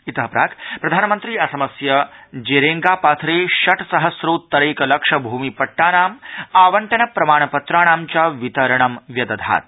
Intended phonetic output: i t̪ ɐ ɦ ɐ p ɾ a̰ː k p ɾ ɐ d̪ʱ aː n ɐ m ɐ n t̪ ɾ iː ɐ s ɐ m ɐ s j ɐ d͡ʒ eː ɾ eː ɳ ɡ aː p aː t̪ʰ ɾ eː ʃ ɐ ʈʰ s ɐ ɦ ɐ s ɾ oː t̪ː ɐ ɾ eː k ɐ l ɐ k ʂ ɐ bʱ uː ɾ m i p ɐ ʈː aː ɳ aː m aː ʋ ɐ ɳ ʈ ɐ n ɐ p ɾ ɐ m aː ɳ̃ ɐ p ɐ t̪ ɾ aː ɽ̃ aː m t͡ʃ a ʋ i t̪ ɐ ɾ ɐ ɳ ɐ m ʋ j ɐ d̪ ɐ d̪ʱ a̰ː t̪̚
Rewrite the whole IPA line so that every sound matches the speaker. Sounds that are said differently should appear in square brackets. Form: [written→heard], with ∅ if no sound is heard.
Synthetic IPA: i t̪ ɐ ɦ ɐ p ɾ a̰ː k p ɾ ɐ d̪ʱ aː n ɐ m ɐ n t̪ ɾ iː ɐ s ɐ m ɐ s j ɐ d͡ʒ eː ɾ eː [ɳ→ŋ] ɡ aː p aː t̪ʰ ɾ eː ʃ ɐ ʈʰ s ɐ ɦ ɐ s ɾ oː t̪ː ɐ ɾ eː k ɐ l ɐ k ʂ ɐ bʱ uː [ɾ→∅] m i p ɐ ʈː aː [ɳ→n] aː m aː ʋ ɐ ɳ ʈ ɐ n ɐ p ɾ ɐ m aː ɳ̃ ɐ p ɐ t̪ ɾ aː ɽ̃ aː m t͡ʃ a ʋ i t̪ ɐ ɾ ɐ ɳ ɐ m ʋ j ɐ d̪ ɐ d̪ʱ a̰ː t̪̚